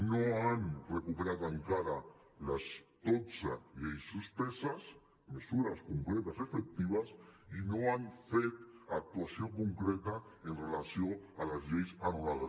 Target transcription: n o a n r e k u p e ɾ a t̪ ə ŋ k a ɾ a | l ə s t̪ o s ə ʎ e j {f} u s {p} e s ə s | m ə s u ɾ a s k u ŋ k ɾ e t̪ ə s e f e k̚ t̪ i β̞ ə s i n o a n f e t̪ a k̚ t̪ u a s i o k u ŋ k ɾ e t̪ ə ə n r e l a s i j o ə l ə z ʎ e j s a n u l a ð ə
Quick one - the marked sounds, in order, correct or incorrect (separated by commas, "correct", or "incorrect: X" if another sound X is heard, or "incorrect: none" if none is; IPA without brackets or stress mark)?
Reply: incorrect: s, correct